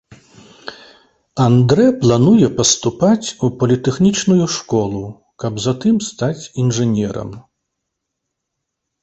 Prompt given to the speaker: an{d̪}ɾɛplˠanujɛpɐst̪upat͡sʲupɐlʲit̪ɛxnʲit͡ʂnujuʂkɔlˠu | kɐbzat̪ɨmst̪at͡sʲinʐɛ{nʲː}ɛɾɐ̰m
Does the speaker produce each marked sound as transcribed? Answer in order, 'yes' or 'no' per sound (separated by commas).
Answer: yes, no